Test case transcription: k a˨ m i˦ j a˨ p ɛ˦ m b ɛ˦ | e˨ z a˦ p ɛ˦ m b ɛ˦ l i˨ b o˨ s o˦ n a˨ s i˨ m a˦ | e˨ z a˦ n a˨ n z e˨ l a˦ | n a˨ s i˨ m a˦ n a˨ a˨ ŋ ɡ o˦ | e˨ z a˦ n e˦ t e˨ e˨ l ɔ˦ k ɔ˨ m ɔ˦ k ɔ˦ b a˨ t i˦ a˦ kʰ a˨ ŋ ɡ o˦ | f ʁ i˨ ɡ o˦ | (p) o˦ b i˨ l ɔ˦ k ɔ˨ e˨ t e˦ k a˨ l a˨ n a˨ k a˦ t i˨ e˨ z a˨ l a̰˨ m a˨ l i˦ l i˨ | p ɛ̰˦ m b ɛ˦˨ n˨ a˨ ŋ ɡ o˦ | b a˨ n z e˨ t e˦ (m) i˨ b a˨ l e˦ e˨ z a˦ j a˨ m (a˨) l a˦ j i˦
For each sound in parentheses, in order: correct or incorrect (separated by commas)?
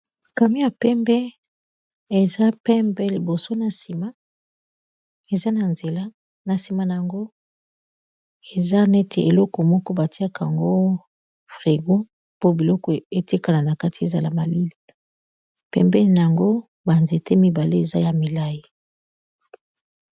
correct, correct, incorrect